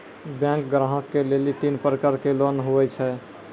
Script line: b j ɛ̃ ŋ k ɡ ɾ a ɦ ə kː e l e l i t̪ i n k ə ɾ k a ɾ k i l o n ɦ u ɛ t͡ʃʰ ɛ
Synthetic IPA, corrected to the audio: b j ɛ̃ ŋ k ɡ ɾ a ɦ ə kː e l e l i t̪ i n p ə ɾ k ə ɾ k e l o n ɦ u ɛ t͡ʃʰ ɛ